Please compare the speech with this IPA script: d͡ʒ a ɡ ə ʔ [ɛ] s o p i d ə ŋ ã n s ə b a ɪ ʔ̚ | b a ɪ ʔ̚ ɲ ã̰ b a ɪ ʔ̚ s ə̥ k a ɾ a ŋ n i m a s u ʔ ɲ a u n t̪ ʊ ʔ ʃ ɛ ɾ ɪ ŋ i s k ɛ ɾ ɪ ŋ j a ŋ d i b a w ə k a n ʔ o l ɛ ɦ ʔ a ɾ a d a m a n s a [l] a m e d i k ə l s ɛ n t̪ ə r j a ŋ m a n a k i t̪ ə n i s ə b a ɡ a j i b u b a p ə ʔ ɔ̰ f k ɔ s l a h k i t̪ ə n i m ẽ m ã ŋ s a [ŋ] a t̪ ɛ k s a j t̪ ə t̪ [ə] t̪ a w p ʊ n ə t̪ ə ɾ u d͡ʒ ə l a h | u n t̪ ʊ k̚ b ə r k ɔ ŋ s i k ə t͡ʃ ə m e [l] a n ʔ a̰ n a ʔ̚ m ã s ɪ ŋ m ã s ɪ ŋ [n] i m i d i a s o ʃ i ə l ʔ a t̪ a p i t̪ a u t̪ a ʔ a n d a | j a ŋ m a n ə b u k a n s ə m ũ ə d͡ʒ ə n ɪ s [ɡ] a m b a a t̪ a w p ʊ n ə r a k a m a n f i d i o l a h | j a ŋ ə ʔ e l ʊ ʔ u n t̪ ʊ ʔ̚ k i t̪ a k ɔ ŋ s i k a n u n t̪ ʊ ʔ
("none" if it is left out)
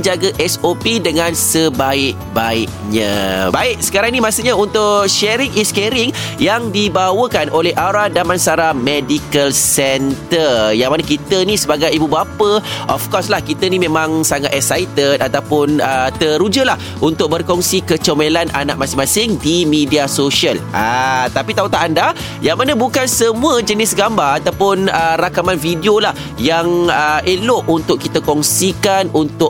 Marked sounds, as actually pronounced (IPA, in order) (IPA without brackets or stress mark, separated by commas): ɛ, ɾ, ŋ, a, l, d, ɡ